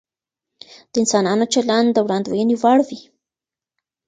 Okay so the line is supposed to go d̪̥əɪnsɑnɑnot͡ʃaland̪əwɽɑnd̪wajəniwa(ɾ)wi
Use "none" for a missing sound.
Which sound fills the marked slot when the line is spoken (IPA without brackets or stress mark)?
ɽ